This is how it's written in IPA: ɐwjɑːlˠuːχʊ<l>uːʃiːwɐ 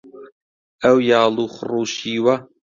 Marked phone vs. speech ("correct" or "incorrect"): incorrect